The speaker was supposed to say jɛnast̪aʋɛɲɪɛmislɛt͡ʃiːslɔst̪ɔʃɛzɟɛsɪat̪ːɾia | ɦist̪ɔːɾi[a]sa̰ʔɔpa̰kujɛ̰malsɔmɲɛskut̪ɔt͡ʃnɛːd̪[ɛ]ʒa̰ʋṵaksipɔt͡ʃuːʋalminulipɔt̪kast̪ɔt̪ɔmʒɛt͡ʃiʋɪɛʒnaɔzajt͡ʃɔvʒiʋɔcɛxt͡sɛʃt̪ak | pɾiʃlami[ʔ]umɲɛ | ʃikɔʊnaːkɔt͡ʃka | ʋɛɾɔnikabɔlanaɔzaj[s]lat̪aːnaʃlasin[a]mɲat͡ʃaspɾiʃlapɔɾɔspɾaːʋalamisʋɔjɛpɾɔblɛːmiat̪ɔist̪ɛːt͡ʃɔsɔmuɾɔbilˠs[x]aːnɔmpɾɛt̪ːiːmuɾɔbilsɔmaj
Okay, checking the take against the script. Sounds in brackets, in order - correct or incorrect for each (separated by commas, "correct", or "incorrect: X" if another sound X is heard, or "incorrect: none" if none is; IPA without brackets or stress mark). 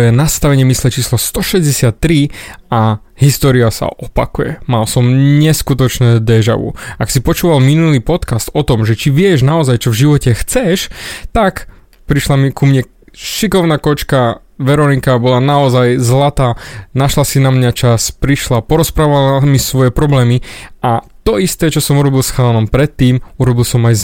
correct, correct, incorrect: k, incorrect: z, correct, correct